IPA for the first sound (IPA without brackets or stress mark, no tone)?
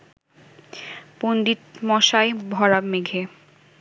p